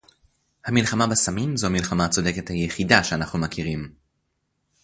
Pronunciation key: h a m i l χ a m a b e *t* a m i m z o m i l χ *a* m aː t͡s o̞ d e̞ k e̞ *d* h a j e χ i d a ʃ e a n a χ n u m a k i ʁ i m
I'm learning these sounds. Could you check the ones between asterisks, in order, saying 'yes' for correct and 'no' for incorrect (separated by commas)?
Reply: no, yes, no